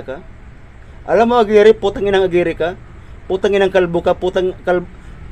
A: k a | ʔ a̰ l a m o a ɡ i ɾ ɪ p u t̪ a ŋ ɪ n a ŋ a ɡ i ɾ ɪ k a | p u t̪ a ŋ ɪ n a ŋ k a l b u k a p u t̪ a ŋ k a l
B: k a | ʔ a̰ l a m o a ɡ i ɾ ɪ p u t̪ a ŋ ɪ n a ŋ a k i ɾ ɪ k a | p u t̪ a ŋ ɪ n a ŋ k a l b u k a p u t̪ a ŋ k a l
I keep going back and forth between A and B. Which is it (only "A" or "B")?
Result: A